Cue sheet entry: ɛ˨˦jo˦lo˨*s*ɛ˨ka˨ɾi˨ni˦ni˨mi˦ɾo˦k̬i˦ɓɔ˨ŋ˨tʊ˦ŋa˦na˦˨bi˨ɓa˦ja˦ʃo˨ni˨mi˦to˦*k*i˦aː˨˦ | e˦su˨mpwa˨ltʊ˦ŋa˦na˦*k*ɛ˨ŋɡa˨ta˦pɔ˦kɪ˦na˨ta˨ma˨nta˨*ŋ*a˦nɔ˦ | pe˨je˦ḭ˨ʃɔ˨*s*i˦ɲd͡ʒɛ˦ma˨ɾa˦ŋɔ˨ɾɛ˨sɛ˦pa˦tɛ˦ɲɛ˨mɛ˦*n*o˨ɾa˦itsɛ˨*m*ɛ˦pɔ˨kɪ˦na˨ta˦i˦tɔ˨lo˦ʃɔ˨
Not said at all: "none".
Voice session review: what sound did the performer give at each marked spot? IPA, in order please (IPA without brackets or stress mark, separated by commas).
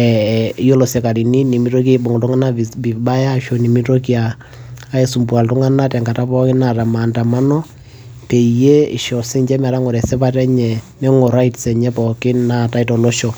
s, k, t, m, s, ŋ, ɲ